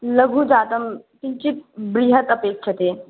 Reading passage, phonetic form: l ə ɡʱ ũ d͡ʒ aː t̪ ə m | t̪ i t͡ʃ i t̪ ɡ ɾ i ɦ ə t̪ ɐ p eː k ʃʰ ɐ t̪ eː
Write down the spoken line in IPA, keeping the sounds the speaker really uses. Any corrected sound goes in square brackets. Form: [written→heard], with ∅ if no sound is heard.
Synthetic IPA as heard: l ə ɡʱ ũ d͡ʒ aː t̪ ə m | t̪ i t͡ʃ i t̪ [ɡ→b] ɾ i ɦ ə t̪ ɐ p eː k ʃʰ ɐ t̪ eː